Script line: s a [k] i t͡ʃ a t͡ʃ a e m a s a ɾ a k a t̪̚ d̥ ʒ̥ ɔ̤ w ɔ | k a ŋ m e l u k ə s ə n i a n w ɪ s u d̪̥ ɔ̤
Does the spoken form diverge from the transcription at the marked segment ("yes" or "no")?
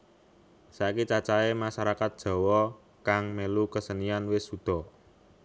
no